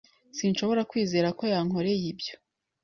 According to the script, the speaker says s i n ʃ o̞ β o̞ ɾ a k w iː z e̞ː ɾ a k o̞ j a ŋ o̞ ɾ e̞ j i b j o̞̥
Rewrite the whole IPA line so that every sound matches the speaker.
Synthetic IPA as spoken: s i n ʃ o̞ β o̞ ɾ a k w iː z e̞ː ɾ a k o̞ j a ŋ o̞ ɾ e̞ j i b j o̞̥